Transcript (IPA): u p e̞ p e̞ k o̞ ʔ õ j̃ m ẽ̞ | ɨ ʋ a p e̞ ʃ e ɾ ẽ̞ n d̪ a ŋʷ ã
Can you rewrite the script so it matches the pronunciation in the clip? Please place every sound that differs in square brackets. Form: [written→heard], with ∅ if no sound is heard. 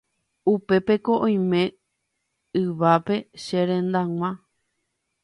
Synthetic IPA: u p e̞ p e̞ k o̞ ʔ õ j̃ m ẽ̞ | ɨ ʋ a p e̞ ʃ e ɾ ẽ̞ n d̪ a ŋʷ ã